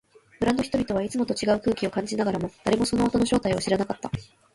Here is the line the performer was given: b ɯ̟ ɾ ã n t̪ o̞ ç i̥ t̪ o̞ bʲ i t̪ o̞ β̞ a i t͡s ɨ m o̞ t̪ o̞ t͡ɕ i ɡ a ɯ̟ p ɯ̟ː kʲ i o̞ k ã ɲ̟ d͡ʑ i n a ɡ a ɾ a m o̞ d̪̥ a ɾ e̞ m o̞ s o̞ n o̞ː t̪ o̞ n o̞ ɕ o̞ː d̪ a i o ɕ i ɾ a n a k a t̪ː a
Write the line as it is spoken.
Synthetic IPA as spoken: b ɯ̟ ɾ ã n d̪ o̞ ç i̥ t̪ o̞ bʲ i t̪ o̞ β̞ a i t͡s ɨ m o̞ t̪ o̞ t͡ɕ i ɡ a ɯ̟ k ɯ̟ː kʲ i o̞ k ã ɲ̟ d͡ʑ i n a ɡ a ɾ a m o̞ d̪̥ a ɾ e̞ m o̞ s o̞ n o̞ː t̪ o̞ n o̞ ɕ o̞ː t̪ a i o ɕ i ɾ a n a k a t̪ː a